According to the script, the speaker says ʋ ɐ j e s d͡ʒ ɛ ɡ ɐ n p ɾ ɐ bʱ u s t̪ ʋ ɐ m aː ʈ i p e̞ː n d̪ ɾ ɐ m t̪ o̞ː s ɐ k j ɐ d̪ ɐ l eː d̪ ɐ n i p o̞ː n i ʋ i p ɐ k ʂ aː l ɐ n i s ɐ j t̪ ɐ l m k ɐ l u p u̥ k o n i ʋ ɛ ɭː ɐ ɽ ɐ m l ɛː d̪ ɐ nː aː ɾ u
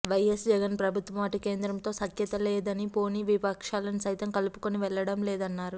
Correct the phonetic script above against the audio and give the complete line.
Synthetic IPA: ʋ ɐ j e s d͡ʒ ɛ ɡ ɐ n p ɾ ɐ bʱ u t̪ ʋ ɐ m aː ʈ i k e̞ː n d̪ ɾ ɐ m t̪ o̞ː s ɐ k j ɐ t̪ ɐ l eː d̪ ɐ n i p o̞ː n i ʋ i p ɐ k ʂ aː l ɐ n i s ɐ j t̪ ɐ m k ɐ l u p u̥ k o n i ʋ ɛ ɭː ɐ ɽ ɐ m l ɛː d̪ ɐ nː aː ɾ u